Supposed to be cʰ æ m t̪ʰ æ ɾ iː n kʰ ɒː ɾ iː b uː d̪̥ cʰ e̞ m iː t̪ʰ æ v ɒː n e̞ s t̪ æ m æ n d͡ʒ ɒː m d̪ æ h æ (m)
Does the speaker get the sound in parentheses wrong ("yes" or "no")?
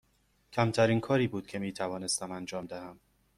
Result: no